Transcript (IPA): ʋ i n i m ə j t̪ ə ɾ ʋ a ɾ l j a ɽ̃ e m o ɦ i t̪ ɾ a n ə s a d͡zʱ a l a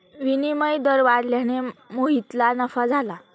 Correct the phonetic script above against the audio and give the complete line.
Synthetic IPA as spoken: ʋ i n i m ə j d̪ ə ɾ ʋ a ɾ l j a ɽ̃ e m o ɦ i t̪ l a n ə f a d͡zʱ a l a